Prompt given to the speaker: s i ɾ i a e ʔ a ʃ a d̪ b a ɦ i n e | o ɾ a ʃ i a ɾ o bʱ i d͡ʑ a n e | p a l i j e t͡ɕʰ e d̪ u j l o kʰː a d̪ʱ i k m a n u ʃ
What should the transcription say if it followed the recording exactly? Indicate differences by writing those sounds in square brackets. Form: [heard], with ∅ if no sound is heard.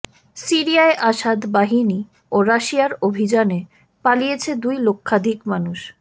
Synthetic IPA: s i ɾ i a e ʔ a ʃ a d̪ b a ɦ i n [i] | o ɾ a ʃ i a ɾ o bʱ i d͡ʑ a n e | p a l i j e t͡ɕʰ e d̪ u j l o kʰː a d̪ʱ i k m a n u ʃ

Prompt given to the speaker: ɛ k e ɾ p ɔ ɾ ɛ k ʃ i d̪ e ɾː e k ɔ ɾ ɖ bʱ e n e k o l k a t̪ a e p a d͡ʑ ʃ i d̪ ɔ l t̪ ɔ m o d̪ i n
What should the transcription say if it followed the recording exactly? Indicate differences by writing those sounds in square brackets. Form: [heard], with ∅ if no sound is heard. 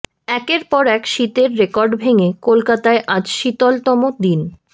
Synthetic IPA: ɛ k e ɾ p ɔ ɾ ɛ k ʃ i [t̪] e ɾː e k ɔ ɾ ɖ bʱ e [ŋ] e k o l k a t̪ a e [ʔ] a d͡ʑ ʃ i [t̪] ɔ l t̪ ɔ m o d̪ i n

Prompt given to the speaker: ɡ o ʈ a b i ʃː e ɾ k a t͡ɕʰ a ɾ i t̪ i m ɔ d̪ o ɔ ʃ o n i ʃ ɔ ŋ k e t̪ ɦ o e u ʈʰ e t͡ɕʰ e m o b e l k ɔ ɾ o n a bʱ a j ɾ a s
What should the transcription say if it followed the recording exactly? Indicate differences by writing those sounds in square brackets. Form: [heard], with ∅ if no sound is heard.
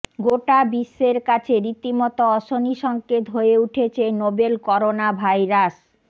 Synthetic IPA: ɡ o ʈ a b i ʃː e ɾ k a t͡ɕʰ [e] ɾ i t̪ i m ɔ [t̪] o ɔ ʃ o n i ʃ ɔ ŋ k e t̪ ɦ o e u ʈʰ e t͡ɕʰ e [n] o b e l k ɔ ɾ o n a bʱ a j ɾ a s

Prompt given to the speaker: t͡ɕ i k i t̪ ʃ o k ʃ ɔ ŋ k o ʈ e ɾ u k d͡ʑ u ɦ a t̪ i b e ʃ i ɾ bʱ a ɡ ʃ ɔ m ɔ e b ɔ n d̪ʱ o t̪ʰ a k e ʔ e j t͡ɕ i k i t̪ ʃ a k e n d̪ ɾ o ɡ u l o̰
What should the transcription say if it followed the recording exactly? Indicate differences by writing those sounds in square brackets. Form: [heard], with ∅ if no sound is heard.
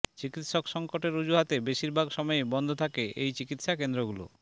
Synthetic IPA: t͡ɕ i k i t̪ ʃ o k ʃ ɔ ŋ k o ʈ e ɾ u [∅] d͡ʑ u ɦ a t̪ [e] b e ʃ i ɾ bʱ a ɡ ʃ ɔ m ɔ e b ɔ n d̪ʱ o t̪ʰ a k e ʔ e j t͡ɕ i k i t̪ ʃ a k e n d̪ ɾ o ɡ u l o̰

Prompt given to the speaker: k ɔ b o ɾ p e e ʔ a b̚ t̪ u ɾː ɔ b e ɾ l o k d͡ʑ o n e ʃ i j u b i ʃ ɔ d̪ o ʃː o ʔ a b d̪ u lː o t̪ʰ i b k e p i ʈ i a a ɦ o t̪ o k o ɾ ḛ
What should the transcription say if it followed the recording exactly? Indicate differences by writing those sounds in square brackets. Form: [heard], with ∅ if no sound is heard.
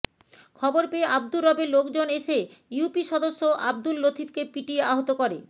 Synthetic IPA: [kʰ] ɔ b o ɾ p e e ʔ a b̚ [d̪] u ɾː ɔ b e ɾ l o k d͡ʑ o n e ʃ [e] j u [p] i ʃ ɔ d̪ o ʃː o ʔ a b d̪ u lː o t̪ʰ i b k e p i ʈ i [e] a ɦ o t̪ o k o ɾ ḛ

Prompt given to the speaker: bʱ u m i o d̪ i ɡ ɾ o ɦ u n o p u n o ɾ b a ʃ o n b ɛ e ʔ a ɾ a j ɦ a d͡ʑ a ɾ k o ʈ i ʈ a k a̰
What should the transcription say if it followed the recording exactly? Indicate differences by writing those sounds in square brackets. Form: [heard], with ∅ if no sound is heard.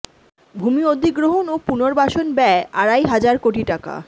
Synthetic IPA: bʱ u m i o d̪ i ɡ ɾ o ɦ [o] n o p u n o ɾ b a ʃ o n b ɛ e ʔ a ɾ a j ɦ a d͡ʑ a ɾ k o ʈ i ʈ a k a̰

